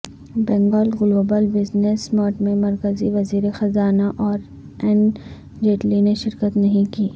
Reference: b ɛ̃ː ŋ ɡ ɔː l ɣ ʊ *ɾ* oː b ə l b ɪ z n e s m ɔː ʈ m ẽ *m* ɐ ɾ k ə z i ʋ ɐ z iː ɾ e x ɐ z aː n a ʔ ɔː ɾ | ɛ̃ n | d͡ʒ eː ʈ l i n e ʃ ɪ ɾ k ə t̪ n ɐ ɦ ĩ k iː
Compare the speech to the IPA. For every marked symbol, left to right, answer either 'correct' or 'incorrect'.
incorrect: l, correct

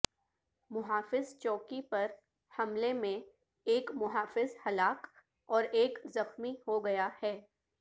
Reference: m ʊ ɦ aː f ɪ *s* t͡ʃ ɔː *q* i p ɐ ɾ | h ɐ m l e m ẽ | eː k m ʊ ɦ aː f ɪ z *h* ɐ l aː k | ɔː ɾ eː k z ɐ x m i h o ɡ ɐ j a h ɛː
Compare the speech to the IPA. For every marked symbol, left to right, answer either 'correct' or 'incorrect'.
incorrect: z, incorrect: k, correct

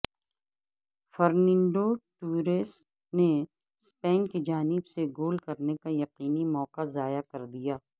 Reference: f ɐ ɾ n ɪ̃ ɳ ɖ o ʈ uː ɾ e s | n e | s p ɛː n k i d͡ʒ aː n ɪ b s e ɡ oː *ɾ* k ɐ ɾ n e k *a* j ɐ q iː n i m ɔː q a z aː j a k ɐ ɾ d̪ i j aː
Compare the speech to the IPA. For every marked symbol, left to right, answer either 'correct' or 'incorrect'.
incorrect: l, correct

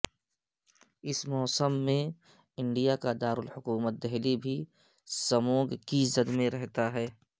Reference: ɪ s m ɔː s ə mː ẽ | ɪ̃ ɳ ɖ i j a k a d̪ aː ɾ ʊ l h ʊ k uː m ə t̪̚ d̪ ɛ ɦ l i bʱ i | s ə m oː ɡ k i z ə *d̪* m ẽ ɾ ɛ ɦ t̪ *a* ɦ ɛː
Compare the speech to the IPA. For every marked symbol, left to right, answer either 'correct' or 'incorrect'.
correct, correct

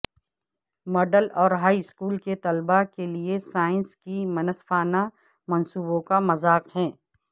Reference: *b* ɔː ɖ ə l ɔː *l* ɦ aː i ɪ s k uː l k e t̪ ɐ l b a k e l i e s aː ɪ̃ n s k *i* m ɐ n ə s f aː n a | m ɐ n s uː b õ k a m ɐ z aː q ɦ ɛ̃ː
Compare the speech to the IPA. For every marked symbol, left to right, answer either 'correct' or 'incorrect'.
incorrect: m, incorrect: ɾ, correct

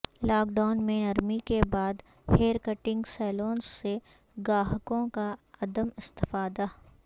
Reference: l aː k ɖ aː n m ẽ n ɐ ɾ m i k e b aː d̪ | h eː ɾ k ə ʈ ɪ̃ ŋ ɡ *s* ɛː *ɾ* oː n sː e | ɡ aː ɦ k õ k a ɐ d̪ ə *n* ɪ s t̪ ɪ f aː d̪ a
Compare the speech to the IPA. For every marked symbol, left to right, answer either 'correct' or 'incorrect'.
correct, incorrect: l, incorrect: m

